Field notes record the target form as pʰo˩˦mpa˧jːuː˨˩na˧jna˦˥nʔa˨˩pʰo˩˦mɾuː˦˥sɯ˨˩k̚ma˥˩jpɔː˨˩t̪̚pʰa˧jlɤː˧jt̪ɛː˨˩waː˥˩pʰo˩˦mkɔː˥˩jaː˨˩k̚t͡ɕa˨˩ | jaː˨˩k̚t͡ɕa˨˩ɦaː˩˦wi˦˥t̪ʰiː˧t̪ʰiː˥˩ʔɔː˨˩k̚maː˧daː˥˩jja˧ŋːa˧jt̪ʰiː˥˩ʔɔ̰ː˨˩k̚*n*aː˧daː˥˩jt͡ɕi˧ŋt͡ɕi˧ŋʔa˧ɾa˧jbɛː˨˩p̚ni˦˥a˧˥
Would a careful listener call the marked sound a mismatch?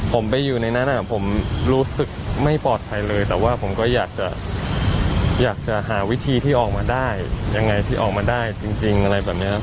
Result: yes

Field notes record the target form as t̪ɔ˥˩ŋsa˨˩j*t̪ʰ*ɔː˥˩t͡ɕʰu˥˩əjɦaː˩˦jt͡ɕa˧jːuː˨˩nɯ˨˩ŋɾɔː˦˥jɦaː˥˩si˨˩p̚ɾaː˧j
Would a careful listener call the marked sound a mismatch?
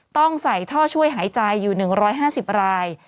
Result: no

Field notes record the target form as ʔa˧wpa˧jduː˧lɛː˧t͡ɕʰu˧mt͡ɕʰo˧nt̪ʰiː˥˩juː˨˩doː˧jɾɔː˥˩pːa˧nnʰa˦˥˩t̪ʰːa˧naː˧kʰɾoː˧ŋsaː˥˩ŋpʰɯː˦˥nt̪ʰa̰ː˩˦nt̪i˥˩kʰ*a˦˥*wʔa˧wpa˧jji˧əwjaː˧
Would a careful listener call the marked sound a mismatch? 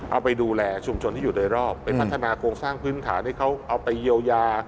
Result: no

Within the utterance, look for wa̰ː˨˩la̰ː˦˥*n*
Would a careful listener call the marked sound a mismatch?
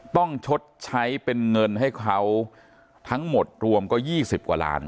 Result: no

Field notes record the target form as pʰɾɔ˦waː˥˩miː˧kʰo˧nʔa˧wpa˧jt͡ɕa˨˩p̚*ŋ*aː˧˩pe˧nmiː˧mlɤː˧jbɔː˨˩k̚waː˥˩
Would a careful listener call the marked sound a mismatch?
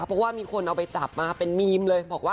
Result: yes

